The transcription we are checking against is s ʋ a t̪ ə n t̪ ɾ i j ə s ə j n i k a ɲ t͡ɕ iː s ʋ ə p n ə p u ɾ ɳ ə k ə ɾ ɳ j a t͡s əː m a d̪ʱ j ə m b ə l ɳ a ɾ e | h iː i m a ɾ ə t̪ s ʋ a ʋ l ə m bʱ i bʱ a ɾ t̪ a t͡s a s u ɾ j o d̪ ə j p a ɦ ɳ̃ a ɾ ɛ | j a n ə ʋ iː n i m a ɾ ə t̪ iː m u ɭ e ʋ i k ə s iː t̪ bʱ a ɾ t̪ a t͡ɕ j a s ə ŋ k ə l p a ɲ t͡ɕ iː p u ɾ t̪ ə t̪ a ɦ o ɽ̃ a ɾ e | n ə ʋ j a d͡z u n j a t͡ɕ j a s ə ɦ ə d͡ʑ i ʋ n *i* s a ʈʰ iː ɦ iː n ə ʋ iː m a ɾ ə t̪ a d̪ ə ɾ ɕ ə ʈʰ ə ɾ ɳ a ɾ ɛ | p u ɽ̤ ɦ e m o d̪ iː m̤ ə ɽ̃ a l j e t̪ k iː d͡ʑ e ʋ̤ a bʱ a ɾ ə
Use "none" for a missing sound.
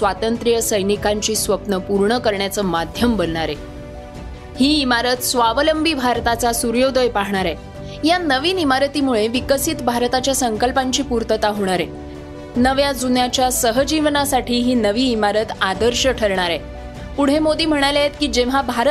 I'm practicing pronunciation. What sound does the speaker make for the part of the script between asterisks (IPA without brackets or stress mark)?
a